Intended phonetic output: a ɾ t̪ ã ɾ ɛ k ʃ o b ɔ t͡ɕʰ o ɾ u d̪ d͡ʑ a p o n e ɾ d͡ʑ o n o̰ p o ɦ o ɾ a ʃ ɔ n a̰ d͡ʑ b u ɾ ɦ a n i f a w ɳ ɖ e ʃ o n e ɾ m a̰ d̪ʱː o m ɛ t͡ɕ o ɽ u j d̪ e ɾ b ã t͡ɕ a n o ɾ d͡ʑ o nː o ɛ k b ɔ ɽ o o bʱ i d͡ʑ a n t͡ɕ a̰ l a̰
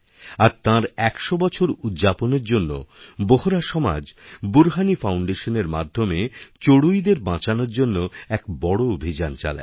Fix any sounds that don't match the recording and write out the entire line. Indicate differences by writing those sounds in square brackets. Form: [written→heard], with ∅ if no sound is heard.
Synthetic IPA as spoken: a ɾ t̪ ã ɾ ɛ k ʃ o b ɔ t͡ɕʰ o ɾ u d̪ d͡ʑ a p o n e ɾ d͡ʑ o [n→nː] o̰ [p→b] o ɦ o ɾ a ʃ ɔ [n→m] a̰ d͡ʑ b u ɾ ɦ a n i f a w ɳ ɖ e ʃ o n e ɾ m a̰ d̪ʱː o m [ɛ→e] t͡ɕ o ɽ u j d̪ e ɾ b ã t͡ɕ a n o ɾ d͡ʑ o nː o ɛ k b ɔ ɽ o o bʱ i d͡ʑ a n t͡ɕ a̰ l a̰